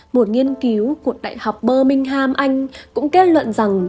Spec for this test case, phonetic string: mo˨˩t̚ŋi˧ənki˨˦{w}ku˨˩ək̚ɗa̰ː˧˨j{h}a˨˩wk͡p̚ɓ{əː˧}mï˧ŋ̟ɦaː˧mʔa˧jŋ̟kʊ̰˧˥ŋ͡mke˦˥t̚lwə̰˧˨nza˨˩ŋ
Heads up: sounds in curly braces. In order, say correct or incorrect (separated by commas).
correct, correct, correct